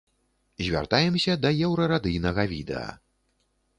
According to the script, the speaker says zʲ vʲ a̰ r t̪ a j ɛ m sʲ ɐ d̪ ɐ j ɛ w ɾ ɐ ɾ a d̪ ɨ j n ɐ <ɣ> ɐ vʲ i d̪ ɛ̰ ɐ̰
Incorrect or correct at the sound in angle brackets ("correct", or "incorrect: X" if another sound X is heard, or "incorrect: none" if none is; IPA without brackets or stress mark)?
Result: correct